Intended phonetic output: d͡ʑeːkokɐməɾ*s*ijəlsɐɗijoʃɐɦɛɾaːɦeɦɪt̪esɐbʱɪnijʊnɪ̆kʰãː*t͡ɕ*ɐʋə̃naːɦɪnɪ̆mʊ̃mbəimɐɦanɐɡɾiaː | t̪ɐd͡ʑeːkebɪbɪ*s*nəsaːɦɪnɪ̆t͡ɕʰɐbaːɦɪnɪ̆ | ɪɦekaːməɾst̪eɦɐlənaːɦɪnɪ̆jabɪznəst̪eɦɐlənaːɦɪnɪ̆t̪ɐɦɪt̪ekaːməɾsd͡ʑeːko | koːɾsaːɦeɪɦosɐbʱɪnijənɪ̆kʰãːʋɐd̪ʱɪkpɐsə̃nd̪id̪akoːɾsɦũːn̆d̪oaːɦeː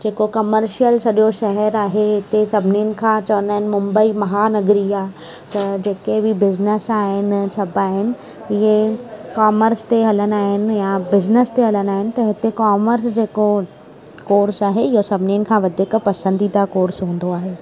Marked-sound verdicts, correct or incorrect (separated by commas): incorrect, correct, incorrect